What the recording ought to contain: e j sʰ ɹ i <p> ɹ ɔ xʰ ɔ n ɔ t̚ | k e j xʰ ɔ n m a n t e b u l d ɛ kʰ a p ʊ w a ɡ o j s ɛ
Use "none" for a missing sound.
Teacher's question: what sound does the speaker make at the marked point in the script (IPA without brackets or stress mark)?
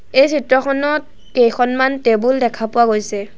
t